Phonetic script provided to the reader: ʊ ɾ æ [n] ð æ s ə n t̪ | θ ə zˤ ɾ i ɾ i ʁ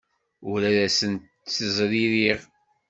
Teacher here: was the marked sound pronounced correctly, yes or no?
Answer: no